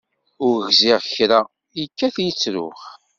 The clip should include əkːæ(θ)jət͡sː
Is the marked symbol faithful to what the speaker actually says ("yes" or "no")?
yes